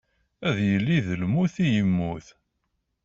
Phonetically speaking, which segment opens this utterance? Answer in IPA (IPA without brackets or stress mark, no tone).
æ